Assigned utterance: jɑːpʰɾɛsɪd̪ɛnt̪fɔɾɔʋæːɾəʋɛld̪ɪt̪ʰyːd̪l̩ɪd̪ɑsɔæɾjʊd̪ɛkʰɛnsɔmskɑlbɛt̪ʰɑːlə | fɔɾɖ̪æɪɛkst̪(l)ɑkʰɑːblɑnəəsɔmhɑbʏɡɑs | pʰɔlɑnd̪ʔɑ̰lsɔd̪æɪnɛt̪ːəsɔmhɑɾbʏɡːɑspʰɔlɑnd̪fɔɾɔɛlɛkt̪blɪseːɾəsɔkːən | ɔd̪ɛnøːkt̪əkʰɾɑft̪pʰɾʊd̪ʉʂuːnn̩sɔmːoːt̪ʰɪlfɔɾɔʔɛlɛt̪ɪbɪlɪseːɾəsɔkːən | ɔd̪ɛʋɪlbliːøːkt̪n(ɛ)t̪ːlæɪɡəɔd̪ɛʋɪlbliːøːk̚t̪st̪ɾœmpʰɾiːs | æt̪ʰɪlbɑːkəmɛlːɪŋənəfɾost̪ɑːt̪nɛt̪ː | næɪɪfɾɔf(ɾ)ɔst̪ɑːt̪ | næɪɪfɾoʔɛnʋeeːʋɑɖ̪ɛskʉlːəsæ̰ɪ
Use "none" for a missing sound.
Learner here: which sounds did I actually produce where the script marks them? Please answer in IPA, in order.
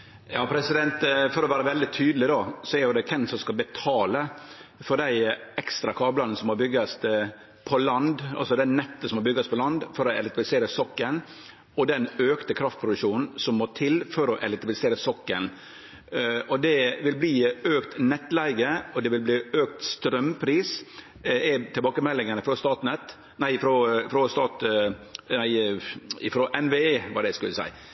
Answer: ɾ, ɛ, ɾ

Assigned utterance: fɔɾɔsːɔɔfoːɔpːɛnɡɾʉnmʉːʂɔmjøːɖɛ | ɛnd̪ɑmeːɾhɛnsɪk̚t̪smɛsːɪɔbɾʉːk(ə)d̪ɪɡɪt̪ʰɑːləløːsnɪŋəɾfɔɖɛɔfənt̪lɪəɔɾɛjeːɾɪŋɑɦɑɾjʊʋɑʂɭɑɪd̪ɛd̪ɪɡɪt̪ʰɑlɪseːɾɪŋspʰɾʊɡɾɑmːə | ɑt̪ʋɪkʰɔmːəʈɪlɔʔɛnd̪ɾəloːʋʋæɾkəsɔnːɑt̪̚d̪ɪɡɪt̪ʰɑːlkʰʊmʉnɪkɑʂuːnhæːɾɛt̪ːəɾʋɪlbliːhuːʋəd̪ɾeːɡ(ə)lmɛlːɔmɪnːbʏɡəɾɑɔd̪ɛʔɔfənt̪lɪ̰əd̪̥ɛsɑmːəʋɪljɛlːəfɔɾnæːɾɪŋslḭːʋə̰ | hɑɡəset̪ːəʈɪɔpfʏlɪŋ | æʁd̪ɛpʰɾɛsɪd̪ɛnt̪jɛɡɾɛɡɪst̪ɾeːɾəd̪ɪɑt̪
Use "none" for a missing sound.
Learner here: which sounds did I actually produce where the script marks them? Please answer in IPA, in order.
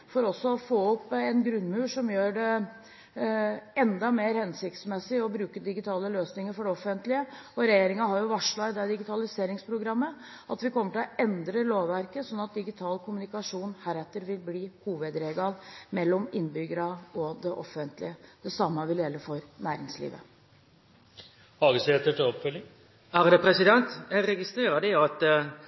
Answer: ə, ɑ

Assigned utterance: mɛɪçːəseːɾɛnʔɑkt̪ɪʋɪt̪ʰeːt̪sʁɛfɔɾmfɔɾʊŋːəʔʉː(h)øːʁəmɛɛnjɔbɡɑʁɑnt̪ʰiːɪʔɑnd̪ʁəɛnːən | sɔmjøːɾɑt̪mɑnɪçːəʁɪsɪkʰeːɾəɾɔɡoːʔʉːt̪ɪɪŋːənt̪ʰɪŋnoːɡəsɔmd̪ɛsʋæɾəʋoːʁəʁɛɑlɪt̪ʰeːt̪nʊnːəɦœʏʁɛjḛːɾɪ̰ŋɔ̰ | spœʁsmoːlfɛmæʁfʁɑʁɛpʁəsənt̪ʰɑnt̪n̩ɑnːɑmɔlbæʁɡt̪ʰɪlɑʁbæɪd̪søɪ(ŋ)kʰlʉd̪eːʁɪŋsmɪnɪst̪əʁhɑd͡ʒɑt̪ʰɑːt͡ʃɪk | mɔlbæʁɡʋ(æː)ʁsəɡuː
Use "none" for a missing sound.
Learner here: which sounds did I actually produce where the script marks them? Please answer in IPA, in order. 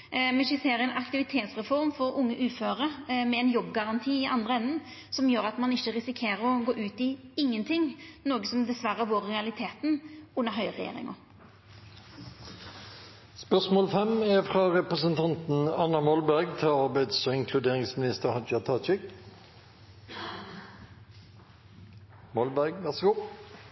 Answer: f, ŋ, æ

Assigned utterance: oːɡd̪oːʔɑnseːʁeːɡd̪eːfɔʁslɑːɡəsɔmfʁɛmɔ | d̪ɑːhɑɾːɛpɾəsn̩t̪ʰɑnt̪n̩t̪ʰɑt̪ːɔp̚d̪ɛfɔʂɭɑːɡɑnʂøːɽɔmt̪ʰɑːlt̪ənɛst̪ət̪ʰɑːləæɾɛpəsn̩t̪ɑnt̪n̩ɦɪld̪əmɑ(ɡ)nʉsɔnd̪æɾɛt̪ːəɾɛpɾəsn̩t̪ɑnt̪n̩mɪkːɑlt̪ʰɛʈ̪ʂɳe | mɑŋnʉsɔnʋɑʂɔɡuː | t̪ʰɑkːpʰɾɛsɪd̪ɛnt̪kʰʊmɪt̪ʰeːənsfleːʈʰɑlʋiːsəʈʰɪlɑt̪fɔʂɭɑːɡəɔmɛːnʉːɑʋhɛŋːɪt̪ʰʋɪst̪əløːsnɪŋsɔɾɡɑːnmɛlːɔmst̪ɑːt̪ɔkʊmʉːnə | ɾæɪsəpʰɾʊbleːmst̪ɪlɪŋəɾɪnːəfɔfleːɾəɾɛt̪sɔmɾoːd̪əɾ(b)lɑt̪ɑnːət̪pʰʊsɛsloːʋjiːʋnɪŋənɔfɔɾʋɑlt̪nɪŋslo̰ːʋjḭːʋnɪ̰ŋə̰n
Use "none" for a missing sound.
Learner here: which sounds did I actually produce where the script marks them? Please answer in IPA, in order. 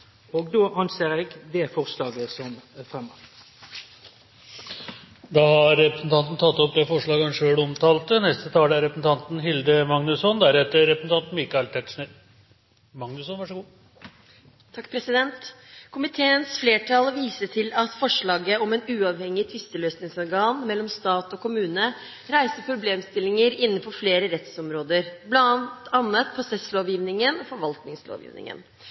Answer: ŋ, b

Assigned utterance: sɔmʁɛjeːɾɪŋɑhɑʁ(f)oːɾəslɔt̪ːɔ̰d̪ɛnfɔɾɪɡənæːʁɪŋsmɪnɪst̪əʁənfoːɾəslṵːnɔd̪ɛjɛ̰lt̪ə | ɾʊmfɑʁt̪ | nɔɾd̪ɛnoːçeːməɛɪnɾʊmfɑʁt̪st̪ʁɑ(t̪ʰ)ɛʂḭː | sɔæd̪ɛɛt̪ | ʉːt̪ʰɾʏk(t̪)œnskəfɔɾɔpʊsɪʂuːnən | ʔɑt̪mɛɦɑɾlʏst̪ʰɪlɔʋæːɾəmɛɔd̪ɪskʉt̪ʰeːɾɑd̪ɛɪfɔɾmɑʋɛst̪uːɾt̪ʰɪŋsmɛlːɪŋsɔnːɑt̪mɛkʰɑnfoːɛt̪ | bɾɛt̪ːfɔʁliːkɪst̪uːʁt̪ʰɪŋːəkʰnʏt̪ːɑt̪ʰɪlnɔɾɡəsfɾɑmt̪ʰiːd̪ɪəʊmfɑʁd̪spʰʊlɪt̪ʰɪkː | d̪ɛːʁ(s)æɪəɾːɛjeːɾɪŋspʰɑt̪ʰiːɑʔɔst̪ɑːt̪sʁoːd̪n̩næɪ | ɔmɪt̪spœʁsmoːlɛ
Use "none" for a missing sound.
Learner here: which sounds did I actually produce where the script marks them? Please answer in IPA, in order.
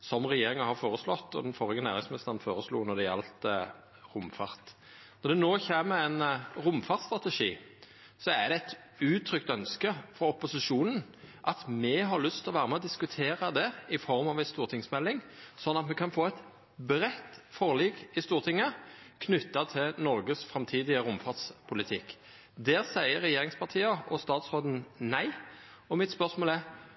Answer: f, t̪, t̪, s

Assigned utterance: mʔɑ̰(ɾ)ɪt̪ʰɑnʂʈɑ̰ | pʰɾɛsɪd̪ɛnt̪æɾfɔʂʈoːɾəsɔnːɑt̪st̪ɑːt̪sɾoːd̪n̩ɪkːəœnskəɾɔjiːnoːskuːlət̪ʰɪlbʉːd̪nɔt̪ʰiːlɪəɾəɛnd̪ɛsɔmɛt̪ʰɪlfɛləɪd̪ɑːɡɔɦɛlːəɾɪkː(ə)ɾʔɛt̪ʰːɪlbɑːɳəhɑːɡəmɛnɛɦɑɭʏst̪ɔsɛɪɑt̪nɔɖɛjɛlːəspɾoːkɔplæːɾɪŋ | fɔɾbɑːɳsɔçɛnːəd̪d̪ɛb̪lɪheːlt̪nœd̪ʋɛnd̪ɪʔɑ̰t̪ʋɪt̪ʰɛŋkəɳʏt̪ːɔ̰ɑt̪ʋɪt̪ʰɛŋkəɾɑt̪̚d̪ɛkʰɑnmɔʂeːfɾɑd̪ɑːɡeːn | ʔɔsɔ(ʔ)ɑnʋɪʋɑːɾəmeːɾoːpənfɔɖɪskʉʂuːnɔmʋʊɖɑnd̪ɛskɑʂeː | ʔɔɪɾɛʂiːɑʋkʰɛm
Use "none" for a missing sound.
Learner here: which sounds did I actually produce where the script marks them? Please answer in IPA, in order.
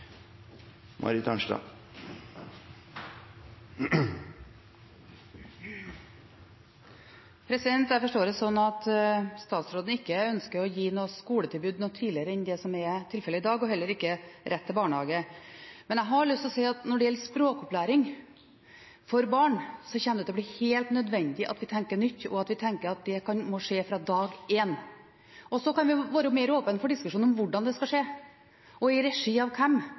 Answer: ɾ, ə, k

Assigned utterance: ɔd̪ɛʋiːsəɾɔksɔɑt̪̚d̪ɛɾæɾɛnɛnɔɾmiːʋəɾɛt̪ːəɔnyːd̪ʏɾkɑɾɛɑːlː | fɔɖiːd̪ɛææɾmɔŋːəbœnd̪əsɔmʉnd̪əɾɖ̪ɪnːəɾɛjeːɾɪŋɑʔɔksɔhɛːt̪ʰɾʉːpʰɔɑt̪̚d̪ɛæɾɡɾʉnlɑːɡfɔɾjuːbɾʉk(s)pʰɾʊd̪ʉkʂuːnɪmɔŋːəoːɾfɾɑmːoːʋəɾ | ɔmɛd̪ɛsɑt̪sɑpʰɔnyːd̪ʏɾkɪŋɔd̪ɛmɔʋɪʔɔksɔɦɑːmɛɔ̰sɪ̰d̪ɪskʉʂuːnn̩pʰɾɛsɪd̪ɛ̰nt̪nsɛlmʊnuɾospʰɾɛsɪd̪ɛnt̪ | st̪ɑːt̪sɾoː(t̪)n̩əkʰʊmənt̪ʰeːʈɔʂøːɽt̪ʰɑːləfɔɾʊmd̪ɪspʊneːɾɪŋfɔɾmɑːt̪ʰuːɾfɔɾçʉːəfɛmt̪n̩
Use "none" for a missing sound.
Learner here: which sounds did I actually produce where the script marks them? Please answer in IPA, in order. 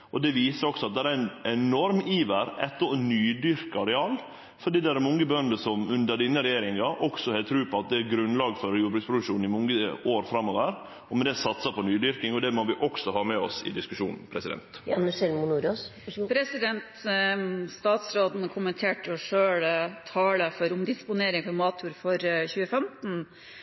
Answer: s, d̪

